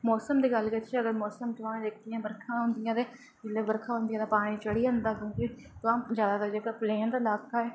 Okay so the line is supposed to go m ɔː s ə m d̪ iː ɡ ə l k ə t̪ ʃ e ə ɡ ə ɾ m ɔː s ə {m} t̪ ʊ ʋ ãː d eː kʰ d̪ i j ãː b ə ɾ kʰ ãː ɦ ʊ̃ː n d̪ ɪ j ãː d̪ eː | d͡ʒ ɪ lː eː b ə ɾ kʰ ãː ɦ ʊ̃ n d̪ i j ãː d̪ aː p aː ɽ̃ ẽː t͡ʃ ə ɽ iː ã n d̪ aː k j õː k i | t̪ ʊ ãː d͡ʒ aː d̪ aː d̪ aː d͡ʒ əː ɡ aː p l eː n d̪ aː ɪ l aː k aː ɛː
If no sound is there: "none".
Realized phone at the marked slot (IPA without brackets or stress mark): m